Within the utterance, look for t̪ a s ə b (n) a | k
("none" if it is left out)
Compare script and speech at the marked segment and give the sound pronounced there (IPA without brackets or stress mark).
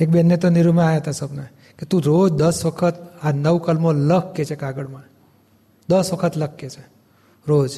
n